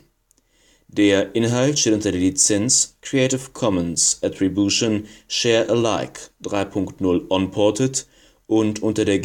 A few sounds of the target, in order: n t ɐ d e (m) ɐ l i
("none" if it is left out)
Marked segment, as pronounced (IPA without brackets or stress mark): none